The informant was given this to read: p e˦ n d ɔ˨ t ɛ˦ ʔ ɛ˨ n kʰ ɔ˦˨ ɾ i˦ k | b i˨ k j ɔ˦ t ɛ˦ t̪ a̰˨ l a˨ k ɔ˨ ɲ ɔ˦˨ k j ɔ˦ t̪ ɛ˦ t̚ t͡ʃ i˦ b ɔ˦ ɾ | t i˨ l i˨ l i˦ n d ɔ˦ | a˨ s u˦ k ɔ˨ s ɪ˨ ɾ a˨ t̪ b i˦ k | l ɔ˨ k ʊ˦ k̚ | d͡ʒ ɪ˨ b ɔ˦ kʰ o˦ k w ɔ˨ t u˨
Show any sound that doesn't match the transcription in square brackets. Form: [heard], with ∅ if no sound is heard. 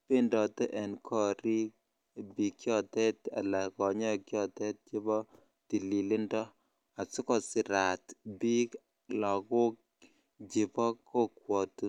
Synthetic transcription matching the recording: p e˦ n d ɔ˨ t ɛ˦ ʔ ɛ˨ n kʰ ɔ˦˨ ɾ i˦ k | b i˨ k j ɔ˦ t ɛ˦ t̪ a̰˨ l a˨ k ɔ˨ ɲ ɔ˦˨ k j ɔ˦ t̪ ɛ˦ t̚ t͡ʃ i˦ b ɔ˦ [∅] | t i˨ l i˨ l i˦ n d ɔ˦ | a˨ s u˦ k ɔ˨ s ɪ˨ ɾ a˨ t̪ b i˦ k | l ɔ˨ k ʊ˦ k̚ | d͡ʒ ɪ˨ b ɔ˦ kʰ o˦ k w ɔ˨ t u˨